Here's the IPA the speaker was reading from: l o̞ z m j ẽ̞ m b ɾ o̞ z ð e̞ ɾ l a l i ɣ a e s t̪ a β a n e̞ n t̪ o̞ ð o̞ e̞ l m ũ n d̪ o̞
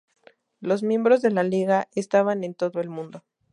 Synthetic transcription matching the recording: l o̞ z m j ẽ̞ m b ɾ o̞ z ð e̞ l a l i ɣ a e s t̪ a β a n e̞ n t̪ o̞ ð o̞ e̞ l m ũ n d̪ o̞